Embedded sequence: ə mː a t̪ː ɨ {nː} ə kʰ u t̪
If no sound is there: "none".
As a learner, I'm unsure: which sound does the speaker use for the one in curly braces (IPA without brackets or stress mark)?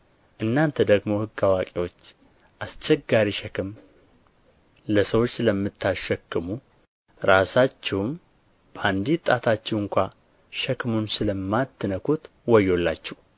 n